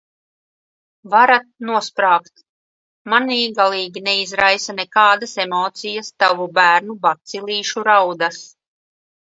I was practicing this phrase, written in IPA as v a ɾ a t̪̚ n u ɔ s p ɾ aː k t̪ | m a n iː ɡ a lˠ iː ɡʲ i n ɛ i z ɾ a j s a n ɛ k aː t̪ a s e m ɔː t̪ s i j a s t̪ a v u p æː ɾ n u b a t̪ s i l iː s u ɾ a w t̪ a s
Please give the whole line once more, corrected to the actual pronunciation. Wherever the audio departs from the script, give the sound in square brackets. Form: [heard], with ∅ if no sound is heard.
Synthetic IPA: v a ɾ a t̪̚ n u ɔ s p ɾ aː k t̪ | m a n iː ɡ a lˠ iː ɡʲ i n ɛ i z ɾ a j s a n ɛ k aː [d̪] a s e m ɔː t̪ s i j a s t̪ a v u [b] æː ɾ n u b a t̪ s i l iː [ʃ] u ɾ a w [d̪] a s